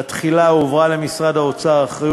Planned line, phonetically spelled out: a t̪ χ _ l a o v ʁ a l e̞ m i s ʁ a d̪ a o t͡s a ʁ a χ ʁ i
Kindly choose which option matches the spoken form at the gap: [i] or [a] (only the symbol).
i